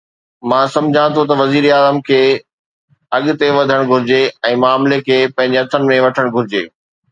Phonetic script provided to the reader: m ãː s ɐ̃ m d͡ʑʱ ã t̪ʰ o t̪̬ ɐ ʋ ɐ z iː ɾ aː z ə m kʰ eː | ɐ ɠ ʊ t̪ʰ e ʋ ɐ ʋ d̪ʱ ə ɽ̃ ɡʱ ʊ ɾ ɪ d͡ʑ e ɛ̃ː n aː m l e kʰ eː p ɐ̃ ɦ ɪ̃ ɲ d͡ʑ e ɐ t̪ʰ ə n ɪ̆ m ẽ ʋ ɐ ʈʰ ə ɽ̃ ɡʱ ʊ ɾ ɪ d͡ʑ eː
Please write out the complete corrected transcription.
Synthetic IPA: m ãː s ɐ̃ m d͡ʑʱ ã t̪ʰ o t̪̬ ɐ ʋ ɐ z iː ɾ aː z ə m kʰ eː | ɐ ɠ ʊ t̪ e ʋ ɐ d̪ʱ ə ɽ̃ ɡʱ ʊ ɾ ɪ d͡ʑ e ɛ̃ː m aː m l e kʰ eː p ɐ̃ ɦ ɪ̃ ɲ d͡ʑ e ɐ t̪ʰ ə n ɪ̆ m ẽ ʋ ɐ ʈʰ ə ɽ̃ ɡʱ ʊ ɾ ɪ d͡ʑ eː